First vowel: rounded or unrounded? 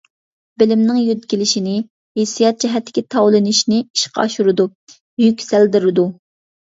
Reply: unrounded